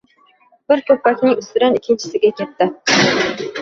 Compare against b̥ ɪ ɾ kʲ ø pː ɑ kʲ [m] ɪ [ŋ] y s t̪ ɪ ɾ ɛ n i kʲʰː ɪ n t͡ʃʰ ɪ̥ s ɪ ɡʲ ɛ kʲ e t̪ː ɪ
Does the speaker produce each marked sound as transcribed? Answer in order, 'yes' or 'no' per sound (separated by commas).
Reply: no, yes